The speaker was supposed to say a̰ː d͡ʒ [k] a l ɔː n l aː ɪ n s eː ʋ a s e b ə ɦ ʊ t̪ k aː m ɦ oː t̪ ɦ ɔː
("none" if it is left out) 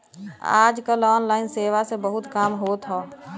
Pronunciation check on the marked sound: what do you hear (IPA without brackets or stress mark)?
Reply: k